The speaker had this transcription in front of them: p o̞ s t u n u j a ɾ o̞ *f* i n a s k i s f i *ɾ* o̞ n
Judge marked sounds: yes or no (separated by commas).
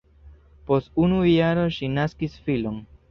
no, no